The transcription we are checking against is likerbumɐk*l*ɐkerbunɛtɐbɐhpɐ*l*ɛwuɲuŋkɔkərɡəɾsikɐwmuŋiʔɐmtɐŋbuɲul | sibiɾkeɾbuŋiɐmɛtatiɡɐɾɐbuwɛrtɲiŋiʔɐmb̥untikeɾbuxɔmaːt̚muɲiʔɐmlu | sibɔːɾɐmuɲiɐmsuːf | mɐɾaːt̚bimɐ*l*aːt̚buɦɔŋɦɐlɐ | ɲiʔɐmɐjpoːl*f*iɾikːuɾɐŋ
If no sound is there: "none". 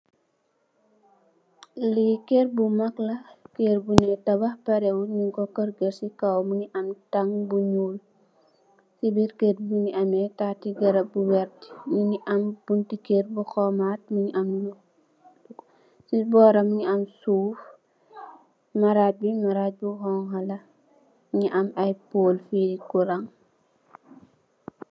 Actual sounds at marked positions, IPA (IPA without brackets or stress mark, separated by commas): l, ɾ, ɾ, f